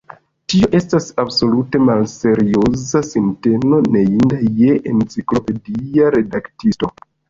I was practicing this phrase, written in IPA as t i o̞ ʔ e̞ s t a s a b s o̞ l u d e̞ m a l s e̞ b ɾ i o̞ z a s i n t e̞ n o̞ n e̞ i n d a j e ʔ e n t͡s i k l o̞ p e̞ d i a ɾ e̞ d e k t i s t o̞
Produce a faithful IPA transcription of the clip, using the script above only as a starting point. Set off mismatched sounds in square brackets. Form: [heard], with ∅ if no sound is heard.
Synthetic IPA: t i o̞ ʔ e̞ s t a s a b s o̞ l u [t] e̞ m a l s e̞ [∅] ɾ i o̞ z a s i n t e̞ n o̞ n e̞ i n d a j e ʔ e n t͡s i k l o̞ p e̞ d i a ɾ e̞ d [a] k t i s t o̞